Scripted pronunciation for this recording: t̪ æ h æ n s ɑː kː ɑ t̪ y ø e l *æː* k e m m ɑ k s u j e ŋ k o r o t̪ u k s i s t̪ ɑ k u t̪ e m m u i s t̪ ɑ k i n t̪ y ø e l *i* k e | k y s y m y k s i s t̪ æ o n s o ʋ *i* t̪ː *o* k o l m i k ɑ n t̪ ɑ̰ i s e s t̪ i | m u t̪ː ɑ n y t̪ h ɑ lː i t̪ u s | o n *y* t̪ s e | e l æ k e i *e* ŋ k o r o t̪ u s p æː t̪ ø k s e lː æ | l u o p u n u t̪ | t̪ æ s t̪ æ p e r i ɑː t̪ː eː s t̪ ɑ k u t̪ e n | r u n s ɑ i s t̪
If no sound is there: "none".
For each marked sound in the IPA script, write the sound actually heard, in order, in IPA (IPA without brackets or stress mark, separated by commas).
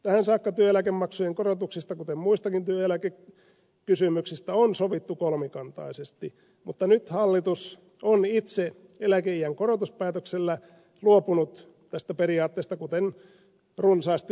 æ, æ, i, u, i, æ